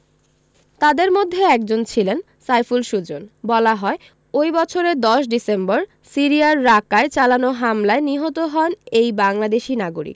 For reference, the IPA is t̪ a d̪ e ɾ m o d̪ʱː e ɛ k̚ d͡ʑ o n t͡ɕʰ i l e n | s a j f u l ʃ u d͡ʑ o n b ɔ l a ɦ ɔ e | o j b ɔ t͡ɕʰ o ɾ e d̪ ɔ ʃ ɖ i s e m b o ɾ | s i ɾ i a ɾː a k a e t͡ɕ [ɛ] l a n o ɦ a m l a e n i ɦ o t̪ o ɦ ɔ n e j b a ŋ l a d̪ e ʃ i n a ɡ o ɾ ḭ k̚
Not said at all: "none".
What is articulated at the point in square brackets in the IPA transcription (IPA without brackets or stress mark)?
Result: a